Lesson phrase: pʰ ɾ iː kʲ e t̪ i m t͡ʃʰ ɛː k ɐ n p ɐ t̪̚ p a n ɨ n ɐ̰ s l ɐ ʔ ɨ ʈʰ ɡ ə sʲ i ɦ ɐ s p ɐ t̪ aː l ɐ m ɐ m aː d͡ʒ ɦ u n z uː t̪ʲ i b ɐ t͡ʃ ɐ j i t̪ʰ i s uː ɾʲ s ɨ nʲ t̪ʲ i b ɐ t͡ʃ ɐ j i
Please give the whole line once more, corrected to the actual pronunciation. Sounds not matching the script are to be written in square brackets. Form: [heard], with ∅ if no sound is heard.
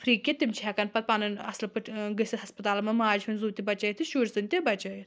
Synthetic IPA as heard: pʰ ɾ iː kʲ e t̪ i m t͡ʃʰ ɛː k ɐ n p ɐ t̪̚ p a n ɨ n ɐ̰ s l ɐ [p] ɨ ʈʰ ɡ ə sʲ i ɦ ɐ s p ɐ t̪ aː l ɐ m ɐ m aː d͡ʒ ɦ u n z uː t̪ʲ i b ɐ t͡ʃ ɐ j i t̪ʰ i [ʃ] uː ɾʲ s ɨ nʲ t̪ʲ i b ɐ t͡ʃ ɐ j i

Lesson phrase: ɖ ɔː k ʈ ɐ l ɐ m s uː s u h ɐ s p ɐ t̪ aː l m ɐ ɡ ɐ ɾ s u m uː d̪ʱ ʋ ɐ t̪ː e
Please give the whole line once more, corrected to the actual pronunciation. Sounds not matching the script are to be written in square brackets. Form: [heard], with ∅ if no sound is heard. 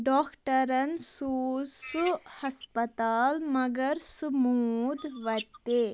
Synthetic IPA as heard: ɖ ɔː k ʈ ɐ [ɾ] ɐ [n] s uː s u h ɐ s p ɐ t̪ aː l m ɐ ɡ ɐ ɾ s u m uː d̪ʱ ʋ ɐ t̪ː e

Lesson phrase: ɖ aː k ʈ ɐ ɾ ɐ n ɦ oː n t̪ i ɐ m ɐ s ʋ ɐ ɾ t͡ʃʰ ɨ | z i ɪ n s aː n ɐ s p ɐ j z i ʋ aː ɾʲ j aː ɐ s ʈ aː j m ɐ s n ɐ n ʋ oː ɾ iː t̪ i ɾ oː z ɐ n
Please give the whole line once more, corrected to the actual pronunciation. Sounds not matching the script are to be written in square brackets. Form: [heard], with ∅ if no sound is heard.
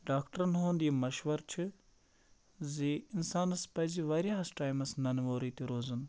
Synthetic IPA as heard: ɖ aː k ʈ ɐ ɾ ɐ n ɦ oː n [d̪] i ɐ m ɐ [ʃ] ʋ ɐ ɾ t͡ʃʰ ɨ | z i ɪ n s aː n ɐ s p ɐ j z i ʋ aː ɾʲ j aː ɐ s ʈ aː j m ɐ s n ɐ n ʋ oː ɾ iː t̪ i ɾ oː z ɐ n

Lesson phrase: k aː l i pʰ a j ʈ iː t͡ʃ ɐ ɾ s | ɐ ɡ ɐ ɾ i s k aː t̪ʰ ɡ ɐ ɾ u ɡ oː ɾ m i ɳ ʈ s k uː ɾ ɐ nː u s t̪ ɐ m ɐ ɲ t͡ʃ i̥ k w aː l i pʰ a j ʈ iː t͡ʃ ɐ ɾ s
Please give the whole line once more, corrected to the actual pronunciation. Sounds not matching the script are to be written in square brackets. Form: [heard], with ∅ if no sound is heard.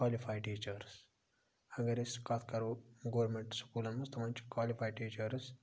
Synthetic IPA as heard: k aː l i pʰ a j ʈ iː t͡ʃ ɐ ɾ s | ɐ ɡ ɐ ɾ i s k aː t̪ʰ [k] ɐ ɾ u ɡ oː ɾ m [e] ɳ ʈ s k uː [l] ɐ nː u s t̪ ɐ m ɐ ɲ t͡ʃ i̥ k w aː l i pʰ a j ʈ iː t͡ʃ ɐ ɾ s

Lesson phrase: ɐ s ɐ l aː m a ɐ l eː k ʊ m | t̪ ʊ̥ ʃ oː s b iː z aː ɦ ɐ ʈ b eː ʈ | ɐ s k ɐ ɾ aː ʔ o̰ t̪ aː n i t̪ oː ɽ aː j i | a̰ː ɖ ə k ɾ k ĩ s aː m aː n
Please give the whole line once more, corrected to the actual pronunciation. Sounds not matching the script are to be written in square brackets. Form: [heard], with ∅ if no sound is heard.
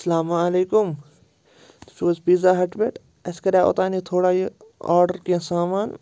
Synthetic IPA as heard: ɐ s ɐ l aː m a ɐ l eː k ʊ m | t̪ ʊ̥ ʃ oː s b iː z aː ɦ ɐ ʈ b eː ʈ | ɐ s k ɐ ɾ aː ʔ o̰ t̪ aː n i [t̪ʰ] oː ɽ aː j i | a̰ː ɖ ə [∅] ɾ k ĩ s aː m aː n

